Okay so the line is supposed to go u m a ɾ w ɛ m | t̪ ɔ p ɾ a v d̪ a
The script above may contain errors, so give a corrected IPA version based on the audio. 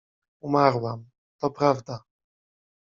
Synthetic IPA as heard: u m a ɾ w a m | t̪ ɔ p ɾ a v d̪ a